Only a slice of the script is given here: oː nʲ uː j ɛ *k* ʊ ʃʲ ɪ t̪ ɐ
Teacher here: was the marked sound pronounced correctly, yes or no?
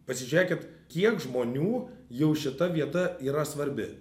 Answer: no